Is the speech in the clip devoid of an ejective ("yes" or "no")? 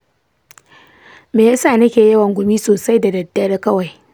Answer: yes